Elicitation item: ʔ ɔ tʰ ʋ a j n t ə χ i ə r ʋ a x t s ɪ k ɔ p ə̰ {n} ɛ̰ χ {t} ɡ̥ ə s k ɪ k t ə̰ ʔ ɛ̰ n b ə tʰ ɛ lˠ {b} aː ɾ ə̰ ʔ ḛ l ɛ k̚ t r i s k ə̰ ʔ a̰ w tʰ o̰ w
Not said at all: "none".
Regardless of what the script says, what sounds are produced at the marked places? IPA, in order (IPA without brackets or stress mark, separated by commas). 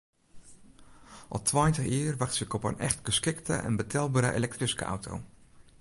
n, t, b